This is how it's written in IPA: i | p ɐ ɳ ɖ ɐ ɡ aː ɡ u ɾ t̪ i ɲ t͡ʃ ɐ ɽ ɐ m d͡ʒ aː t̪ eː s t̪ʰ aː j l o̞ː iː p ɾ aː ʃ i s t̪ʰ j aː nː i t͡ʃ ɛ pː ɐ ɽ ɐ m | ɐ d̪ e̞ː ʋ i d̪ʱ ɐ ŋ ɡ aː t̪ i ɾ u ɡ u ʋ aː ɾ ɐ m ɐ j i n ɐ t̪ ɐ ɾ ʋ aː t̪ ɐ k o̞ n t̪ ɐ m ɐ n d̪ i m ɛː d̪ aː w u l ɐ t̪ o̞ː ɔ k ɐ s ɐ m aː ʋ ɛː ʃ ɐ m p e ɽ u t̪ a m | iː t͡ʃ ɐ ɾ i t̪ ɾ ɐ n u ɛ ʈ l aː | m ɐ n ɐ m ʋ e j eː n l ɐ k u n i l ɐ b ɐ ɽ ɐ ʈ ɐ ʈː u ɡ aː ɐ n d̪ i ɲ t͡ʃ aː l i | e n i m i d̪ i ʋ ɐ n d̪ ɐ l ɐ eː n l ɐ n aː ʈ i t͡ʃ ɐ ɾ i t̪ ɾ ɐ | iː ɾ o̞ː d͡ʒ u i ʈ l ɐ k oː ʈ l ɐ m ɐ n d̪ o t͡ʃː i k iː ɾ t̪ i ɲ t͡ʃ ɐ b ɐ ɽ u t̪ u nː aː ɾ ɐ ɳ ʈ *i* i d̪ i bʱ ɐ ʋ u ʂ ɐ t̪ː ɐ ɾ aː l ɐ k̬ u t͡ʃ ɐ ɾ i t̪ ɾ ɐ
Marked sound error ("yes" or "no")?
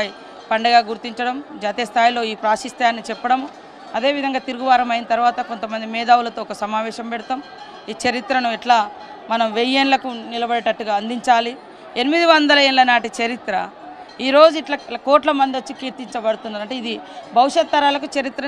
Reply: yes